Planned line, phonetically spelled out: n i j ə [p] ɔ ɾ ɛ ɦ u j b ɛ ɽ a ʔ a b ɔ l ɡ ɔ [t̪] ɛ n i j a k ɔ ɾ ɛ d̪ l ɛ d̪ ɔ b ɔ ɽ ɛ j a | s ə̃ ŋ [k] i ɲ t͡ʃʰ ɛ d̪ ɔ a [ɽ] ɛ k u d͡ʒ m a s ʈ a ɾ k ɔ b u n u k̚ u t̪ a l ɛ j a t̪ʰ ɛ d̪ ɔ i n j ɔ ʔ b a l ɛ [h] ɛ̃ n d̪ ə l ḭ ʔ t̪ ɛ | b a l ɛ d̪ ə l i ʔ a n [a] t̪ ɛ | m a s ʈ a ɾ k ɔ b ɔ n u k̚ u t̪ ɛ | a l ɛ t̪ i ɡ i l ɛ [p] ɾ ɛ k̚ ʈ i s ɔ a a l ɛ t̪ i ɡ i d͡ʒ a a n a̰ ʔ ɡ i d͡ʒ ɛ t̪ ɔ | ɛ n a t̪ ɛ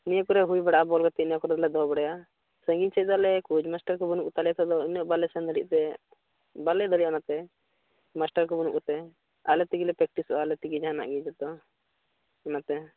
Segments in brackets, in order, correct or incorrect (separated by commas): incorrect, correct, incorrect, incorrect, incorrect, correct, correct